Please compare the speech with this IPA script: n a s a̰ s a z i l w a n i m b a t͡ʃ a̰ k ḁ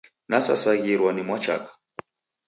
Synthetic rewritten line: n a s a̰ s a ɣ i ɾ w a n i m w a t͡ʃ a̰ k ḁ